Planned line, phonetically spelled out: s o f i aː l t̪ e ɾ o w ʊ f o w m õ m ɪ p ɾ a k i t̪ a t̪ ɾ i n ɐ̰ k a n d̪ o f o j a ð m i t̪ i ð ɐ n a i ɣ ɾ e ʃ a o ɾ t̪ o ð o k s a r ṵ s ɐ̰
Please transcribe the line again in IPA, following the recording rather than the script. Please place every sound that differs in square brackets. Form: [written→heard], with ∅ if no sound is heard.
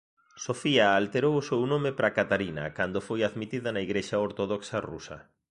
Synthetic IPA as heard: s o f i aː l t̪ e ɾ o w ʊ [f→s] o w [m→n] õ m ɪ p ɾ a k [i→a] t̪ a [t̪→∅] ɾ i n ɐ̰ k a n d̪ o f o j a ð m i t̪ i ð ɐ n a i ɣ ɾ e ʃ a o ɾ t̪ o ð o k s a r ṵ s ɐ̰